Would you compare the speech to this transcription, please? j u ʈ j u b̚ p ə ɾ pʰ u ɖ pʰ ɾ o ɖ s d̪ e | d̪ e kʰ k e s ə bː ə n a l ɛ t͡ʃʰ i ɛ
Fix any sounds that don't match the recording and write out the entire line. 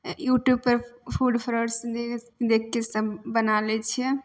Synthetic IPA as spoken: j u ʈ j u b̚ p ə ɾ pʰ u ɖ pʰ ɾ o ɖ s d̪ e | d̪ e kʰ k e s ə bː ə n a l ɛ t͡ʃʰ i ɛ